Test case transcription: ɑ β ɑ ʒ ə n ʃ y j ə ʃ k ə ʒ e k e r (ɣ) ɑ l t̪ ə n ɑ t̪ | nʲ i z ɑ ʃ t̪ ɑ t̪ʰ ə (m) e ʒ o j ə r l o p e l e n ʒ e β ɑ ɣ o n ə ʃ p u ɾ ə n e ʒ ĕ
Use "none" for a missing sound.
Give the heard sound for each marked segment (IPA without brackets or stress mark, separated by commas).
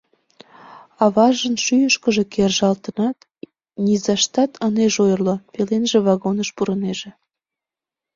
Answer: ʒ, n